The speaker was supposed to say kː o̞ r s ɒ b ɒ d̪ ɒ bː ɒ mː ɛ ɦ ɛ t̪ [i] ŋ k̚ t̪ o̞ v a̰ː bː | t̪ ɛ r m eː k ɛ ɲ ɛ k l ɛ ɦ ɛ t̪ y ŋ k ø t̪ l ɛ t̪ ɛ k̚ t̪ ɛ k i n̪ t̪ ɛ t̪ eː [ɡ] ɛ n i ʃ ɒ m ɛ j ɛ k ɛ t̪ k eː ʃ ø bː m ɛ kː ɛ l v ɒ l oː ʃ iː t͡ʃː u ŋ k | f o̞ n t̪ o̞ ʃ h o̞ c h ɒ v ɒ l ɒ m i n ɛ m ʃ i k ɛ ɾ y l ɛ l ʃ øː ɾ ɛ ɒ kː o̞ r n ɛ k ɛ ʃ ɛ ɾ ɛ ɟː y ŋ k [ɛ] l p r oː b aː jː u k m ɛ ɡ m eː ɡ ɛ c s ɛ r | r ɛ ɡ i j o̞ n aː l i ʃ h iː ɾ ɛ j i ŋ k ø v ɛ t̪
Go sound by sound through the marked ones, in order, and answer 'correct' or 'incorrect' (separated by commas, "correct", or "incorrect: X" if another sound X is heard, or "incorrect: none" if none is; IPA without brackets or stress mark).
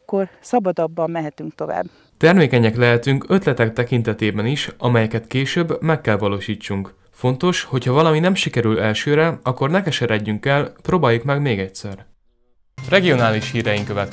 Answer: incorrect: y, incorrect: b, correct